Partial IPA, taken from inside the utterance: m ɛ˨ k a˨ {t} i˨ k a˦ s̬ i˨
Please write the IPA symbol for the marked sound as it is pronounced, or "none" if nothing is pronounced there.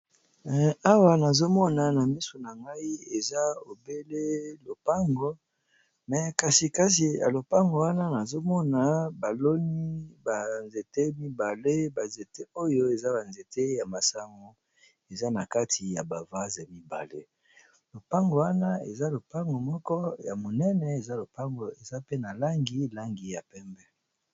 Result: s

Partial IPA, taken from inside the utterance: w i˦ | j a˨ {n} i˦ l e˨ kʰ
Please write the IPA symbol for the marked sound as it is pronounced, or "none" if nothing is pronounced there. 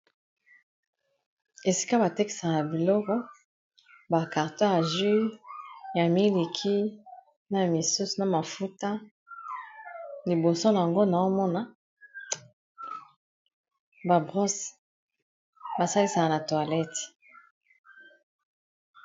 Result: m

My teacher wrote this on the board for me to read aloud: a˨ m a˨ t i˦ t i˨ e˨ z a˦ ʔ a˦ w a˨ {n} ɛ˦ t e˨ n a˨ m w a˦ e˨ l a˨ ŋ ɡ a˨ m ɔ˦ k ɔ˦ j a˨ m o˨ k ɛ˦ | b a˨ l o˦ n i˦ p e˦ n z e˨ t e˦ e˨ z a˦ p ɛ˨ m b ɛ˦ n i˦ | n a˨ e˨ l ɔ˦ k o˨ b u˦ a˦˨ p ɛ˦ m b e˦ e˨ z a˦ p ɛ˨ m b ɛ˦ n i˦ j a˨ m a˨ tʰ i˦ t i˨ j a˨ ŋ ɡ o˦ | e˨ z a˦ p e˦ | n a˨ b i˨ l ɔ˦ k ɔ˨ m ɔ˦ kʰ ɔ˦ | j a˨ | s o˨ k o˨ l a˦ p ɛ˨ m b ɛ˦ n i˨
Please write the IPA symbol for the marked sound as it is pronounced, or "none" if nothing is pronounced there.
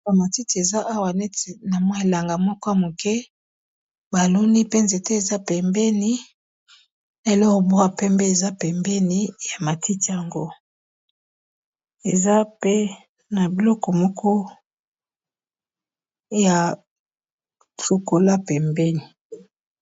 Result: n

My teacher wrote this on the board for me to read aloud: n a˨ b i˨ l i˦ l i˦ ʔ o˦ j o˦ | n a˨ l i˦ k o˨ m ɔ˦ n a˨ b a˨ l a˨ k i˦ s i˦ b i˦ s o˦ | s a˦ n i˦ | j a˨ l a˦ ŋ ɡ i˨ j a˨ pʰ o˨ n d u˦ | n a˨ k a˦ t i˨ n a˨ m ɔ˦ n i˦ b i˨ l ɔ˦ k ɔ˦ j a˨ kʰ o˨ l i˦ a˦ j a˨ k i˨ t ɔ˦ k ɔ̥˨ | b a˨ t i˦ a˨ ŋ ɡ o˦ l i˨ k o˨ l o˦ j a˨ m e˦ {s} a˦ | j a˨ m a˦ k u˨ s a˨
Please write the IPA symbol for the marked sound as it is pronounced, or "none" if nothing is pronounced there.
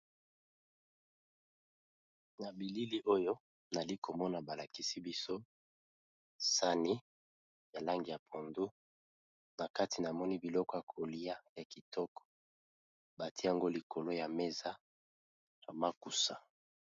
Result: z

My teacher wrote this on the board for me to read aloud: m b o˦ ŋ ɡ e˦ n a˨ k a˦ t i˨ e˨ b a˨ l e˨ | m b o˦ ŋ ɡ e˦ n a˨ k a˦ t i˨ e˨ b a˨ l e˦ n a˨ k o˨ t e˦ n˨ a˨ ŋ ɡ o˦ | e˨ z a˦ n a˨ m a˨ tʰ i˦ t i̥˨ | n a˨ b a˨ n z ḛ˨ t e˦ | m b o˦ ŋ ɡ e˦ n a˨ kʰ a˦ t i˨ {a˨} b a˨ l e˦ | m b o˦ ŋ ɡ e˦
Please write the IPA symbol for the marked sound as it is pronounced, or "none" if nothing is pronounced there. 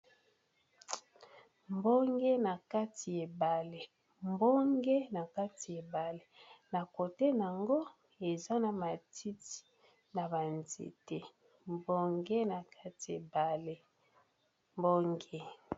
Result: e˨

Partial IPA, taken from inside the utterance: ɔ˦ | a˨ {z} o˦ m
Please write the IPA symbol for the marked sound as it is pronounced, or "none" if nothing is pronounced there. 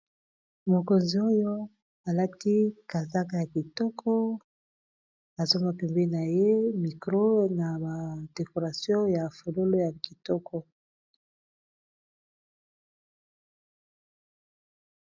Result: z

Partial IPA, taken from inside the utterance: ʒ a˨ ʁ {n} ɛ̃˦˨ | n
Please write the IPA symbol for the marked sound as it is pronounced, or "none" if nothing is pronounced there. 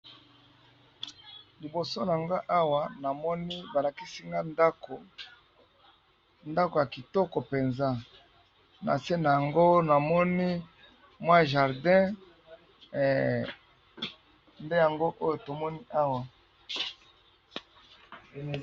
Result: d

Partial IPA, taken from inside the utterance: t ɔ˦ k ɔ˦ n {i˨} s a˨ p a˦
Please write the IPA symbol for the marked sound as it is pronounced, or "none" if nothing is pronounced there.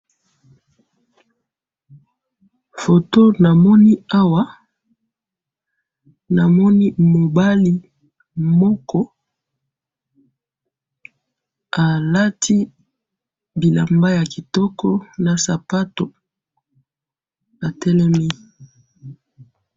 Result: a˨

